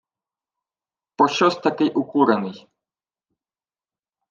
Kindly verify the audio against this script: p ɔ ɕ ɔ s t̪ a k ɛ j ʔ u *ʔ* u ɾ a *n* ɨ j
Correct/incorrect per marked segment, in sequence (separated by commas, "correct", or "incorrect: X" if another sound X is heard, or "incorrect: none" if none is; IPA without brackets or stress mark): incorrect: k, correct